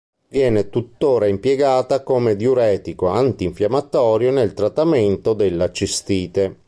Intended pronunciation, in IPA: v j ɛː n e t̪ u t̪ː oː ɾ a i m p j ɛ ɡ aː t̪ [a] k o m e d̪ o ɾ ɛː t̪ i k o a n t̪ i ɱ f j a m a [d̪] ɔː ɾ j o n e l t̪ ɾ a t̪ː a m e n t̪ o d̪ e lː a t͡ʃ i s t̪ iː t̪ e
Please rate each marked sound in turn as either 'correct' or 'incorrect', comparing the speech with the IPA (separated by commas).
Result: correct, incorrect